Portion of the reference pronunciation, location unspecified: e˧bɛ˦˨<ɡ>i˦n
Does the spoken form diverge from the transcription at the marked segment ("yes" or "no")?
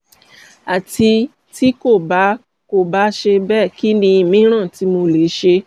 yes